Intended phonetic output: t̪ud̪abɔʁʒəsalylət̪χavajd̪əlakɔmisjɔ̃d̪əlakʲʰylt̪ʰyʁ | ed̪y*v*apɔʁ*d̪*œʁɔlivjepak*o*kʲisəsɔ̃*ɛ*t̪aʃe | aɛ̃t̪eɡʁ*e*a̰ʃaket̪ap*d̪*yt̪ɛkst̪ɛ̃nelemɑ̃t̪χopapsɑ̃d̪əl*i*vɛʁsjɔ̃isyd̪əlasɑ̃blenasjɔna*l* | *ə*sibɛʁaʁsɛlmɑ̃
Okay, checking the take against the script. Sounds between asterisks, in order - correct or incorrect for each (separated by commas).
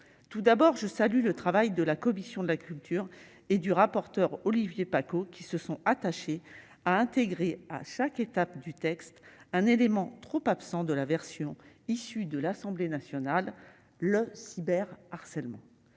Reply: incorrect, incorrect, correct, incorrect, correct, correct, incorrect, incorrect, correct